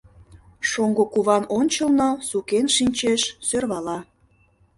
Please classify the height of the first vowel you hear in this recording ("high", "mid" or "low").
mid